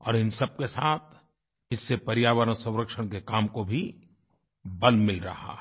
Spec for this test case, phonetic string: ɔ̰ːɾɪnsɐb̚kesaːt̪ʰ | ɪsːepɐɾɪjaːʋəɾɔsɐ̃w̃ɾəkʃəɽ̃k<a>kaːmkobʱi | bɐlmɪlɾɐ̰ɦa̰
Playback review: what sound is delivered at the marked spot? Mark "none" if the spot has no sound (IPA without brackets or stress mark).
e